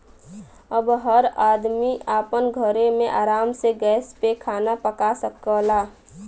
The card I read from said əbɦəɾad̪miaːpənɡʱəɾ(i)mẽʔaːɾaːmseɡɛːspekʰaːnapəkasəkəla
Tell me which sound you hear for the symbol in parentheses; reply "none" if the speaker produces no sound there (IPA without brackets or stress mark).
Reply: e